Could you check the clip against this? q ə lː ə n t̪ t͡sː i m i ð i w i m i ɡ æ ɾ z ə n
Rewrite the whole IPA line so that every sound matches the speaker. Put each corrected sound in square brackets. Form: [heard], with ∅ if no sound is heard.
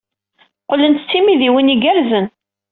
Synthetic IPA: q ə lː ə n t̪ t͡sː i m i ð i w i [n] i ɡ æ ɾ z ə n